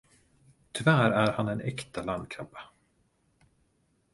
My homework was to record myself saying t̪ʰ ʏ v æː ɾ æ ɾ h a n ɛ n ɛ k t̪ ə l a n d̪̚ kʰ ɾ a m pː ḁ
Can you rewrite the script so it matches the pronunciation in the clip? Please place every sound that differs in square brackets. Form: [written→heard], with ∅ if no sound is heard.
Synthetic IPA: t̪ʰ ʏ v æː ɾ æ ɾ h a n ɛ n ɛ k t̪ [ə→a] l a n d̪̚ kʰ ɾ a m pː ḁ